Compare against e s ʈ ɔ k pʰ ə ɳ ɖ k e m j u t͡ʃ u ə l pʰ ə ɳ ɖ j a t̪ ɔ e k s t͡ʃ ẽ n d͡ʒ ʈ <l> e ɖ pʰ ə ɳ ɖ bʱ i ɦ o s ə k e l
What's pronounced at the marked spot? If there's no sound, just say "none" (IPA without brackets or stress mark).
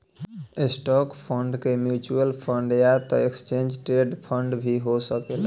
ɾ